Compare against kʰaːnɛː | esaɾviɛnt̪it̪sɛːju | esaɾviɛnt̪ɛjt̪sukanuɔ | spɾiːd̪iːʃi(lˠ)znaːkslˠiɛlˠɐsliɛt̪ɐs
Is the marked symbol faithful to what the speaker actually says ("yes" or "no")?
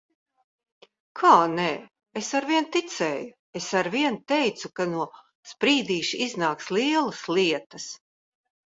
no